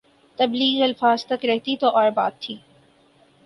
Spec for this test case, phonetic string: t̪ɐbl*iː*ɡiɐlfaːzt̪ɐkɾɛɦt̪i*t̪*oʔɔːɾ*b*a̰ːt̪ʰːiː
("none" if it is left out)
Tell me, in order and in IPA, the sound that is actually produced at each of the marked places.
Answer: iː, t̪, b

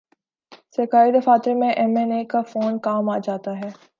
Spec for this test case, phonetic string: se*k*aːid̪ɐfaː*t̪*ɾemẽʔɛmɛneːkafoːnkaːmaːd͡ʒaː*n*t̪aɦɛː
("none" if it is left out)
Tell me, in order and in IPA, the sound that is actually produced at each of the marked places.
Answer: k, t̪, none

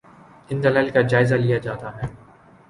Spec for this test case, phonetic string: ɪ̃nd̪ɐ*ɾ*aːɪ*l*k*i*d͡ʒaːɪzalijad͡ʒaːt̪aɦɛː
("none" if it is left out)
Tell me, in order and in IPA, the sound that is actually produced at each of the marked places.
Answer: l, l, a

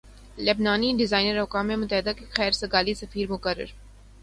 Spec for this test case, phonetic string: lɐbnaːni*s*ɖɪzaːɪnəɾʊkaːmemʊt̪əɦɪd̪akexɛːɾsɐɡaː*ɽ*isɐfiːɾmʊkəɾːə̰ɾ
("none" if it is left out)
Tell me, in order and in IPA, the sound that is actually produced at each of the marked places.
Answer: none, l

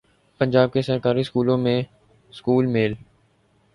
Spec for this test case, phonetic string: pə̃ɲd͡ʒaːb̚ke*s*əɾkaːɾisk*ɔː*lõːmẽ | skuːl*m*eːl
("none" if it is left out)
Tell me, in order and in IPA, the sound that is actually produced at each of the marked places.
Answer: s, uː, m

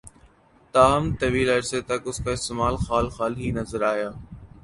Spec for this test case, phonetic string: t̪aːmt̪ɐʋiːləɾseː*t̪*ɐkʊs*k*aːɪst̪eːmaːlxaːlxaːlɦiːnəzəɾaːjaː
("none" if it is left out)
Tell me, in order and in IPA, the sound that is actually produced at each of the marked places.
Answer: t̪, k

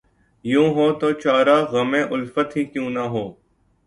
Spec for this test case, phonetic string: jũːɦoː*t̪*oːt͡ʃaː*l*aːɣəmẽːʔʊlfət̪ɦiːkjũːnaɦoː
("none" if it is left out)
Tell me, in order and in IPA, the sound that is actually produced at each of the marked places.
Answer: t̪, ɾ

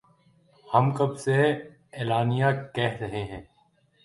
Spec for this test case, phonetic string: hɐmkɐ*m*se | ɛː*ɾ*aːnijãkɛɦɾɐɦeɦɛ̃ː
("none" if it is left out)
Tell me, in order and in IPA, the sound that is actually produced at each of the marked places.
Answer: b, l

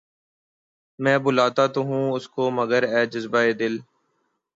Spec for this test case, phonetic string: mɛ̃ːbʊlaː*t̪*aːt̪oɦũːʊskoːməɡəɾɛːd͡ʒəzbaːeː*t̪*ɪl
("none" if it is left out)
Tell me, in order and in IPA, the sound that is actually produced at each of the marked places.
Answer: t̪, d̪

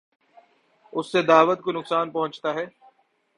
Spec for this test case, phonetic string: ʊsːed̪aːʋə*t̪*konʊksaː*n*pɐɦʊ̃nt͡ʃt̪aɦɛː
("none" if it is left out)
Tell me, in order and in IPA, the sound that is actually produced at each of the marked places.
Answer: t̪, n

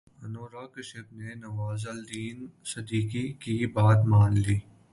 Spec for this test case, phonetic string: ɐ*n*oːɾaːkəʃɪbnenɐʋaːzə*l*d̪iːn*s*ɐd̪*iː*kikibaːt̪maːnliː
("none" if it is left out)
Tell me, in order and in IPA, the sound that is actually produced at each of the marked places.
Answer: n, l, s, iː

